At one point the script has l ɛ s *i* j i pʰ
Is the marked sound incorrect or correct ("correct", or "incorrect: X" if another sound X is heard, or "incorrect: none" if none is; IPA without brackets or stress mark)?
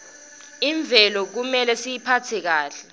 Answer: correct